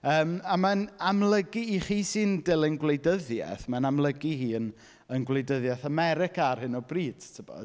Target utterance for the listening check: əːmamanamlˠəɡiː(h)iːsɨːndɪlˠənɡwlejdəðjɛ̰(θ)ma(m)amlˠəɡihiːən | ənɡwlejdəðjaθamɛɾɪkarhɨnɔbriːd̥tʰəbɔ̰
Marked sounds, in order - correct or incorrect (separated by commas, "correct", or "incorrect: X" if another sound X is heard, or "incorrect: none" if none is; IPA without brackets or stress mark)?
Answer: incorrect: χ, correct, incorrect: n